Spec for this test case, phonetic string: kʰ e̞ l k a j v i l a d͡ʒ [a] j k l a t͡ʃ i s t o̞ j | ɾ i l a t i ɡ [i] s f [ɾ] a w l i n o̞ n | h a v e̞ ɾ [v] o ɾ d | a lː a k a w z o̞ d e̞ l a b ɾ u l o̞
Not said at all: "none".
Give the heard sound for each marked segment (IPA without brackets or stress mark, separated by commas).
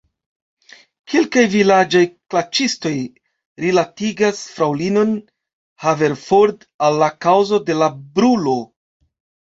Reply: a, a, ɾ, f